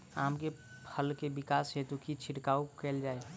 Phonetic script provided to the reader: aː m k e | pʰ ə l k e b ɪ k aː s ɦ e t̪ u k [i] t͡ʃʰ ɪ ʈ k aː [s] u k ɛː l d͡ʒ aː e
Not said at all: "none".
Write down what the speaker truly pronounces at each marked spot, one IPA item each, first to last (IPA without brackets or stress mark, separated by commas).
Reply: i, none